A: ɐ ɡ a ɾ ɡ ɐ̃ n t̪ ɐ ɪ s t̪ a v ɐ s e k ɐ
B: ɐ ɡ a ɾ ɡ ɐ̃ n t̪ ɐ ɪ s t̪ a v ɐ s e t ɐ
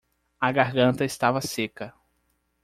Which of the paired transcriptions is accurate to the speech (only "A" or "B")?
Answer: A